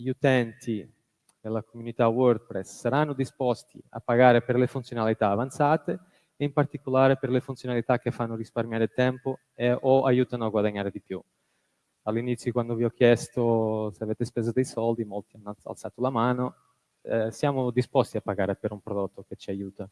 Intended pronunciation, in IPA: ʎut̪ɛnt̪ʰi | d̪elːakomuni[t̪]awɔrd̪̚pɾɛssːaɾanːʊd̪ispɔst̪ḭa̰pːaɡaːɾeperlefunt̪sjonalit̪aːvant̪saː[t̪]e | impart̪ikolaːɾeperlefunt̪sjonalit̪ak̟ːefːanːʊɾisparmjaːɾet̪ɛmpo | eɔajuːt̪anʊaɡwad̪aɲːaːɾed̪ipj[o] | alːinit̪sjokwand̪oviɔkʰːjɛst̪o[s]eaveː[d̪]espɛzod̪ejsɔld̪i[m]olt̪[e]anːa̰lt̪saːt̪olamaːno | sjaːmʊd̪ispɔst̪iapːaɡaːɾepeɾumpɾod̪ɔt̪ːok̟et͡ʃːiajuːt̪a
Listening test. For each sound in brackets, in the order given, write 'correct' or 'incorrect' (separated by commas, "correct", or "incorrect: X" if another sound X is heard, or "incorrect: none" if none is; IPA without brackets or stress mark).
correct, correct, incorrect: u, correct, incorrect: t̪, correct, incorrect: i